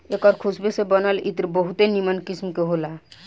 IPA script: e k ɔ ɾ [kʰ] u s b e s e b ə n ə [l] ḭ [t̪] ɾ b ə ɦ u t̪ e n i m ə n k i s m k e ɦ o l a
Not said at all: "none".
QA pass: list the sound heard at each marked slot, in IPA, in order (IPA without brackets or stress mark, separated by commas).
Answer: kʰ, l, t̪